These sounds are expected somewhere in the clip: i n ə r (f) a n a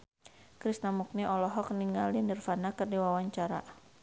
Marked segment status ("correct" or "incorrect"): correct